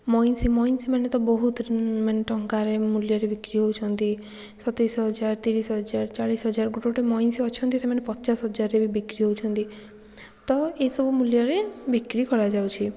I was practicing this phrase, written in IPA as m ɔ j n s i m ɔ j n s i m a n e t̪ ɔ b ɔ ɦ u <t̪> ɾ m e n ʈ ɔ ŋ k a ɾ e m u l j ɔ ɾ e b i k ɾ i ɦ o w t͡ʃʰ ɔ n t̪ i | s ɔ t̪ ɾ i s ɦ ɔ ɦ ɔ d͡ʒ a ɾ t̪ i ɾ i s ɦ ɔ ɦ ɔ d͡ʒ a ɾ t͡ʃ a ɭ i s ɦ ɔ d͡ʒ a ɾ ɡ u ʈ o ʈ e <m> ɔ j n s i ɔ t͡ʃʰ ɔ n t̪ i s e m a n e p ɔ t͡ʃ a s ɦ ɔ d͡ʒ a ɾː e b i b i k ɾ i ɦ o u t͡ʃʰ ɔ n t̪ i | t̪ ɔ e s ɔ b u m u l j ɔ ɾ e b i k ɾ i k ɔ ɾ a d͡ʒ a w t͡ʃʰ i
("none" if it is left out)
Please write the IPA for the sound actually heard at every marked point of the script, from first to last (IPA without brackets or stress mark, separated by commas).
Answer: t̪, m